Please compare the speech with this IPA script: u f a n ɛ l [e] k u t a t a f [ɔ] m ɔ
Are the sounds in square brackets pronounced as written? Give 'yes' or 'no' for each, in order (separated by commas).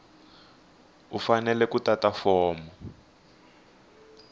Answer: no, no